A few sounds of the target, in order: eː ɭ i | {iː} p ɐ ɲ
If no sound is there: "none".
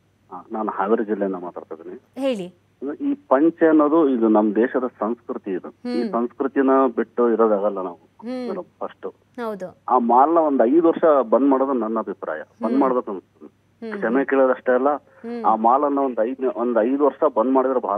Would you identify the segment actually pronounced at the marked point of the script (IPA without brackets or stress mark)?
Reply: iː